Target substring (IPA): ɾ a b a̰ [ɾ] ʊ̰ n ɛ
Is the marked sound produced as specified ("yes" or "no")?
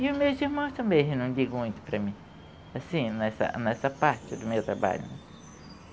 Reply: no